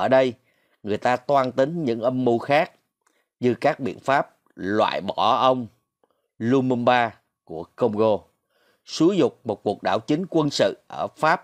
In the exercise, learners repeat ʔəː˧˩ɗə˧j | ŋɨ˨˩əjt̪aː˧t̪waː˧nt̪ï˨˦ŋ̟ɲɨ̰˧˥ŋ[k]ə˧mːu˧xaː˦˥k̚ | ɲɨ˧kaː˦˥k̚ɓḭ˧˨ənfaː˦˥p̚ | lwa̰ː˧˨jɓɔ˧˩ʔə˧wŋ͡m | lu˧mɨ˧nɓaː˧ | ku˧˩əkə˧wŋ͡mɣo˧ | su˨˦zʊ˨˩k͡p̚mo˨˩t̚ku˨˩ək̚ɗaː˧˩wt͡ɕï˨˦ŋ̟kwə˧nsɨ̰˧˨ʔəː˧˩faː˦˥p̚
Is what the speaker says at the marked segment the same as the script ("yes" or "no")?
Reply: no